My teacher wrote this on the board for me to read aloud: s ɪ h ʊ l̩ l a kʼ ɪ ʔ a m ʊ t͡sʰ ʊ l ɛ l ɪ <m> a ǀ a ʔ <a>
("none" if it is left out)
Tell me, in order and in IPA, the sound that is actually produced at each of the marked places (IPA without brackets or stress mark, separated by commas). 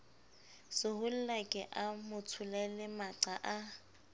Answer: m, a